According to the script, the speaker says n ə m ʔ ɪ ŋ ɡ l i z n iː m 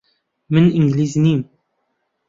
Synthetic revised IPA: m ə n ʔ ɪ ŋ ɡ l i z n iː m